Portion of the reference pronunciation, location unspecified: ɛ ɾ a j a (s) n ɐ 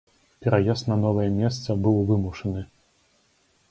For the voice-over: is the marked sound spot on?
yes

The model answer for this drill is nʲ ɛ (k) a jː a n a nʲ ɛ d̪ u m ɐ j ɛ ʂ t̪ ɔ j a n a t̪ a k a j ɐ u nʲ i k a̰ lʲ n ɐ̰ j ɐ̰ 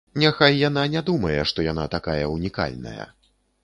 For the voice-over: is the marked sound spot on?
no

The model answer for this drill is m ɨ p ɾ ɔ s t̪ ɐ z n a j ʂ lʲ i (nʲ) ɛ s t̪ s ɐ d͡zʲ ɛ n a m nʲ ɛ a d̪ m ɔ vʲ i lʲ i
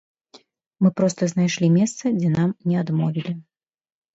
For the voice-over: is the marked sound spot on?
no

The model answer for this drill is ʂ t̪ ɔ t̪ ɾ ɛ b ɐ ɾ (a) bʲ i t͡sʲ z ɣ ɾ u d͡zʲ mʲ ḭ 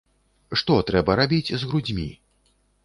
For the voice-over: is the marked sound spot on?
yes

